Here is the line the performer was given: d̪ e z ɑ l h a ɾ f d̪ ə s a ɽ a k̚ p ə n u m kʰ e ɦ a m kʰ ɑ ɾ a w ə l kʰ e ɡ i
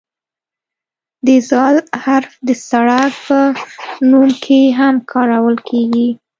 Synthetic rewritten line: d̪ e z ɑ l h a ɾ f d̪ ə s a ɽ a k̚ p ə n u m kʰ e ɦ a m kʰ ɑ ɾ a w ə l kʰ e ɡ i